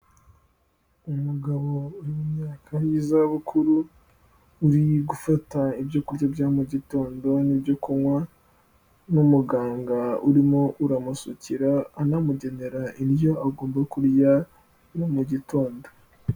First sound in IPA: u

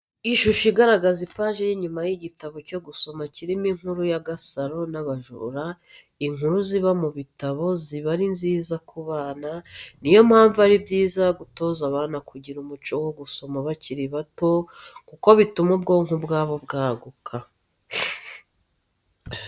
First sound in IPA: i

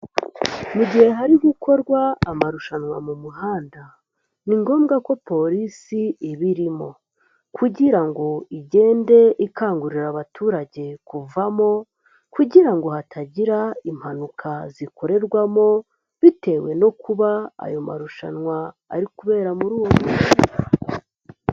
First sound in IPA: m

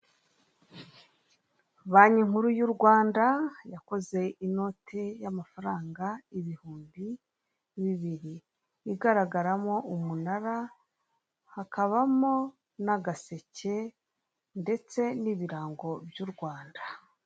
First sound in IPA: β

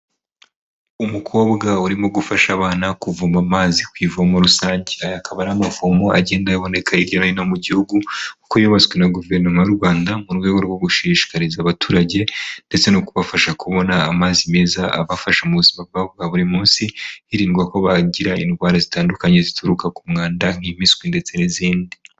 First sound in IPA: u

